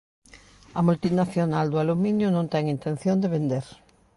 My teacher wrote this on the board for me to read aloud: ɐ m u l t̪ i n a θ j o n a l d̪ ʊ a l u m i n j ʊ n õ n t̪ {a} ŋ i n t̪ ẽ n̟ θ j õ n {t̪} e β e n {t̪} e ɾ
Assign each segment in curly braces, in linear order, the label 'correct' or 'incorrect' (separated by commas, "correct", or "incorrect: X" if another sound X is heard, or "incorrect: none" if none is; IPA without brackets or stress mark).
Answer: incorrect: ɛ, incorrect: d̪, incorrect: d̪